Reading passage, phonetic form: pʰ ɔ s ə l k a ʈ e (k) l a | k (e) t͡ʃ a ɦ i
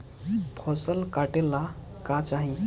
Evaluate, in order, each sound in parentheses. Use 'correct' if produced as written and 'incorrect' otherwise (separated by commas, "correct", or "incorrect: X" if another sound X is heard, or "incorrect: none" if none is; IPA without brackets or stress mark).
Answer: incorrect: none, incorrect: a